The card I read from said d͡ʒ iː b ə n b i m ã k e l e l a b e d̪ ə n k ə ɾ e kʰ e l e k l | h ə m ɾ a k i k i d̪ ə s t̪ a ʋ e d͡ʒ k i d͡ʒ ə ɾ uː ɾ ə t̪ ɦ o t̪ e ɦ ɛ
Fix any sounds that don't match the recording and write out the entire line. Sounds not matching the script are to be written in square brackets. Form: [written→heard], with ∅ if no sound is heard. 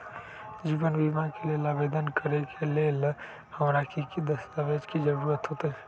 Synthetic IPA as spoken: d͡ʒ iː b ə n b i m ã k e l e l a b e d̪ ə n k ə ɾ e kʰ e l e [k→∅] l | h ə m ɾ a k i k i d̪ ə s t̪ a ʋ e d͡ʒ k i d͡ʒ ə ɾ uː ɾ ə t̪ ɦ o t̪ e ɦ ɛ